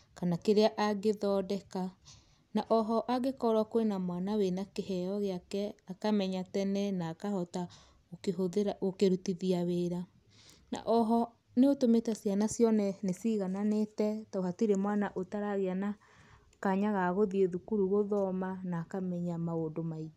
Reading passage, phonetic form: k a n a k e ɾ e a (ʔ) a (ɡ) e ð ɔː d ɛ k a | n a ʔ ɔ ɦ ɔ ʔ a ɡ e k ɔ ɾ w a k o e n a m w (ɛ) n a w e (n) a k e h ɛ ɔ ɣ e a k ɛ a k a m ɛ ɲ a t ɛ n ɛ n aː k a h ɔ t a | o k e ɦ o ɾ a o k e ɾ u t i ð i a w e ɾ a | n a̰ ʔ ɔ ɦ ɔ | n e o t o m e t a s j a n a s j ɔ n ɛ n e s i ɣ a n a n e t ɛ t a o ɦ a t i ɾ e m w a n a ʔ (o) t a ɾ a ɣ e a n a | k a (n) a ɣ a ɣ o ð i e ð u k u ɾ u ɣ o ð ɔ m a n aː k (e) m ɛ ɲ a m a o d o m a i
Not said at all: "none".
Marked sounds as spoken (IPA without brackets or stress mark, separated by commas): ʔ, ɡ, a, n, o, ɲ, a